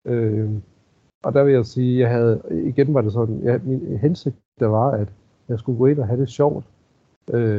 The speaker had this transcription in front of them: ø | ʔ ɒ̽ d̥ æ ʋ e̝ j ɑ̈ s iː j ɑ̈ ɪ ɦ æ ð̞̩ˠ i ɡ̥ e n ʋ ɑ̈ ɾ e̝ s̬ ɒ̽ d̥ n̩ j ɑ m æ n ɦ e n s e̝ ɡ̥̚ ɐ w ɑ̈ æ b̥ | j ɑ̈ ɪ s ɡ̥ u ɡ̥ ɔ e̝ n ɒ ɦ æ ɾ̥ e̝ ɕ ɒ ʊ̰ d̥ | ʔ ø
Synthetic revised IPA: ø | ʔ ɒ̽ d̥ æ ʋ e̝ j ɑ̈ s iː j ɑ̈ ɪ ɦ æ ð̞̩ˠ i ɡ̥ e n ʋ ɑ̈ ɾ e̝ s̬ ɒ̽ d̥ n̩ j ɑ m i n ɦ e n s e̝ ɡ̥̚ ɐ ʋ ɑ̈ æ d̥ | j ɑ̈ ɪ s ɡ̥ u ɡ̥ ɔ e̝ n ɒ ɦ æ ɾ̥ e̝ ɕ ɒ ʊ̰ d̥ | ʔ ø